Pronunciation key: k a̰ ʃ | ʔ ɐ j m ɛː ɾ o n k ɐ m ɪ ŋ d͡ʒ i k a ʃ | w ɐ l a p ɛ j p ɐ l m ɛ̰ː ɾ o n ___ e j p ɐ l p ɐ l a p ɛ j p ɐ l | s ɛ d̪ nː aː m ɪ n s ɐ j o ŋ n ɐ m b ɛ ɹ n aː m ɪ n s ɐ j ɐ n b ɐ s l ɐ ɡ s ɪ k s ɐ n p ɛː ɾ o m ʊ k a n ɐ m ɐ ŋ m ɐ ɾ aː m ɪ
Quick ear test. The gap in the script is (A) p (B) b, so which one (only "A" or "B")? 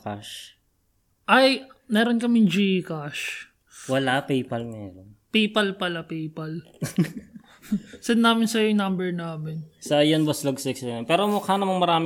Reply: A